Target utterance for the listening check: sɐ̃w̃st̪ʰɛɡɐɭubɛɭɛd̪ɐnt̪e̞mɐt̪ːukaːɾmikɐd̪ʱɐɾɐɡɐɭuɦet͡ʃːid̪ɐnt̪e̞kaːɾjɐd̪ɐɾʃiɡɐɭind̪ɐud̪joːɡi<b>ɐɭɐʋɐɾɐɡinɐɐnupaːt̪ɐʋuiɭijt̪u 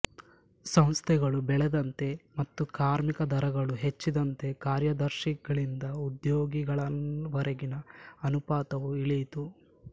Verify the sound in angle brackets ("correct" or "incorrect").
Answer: incorrect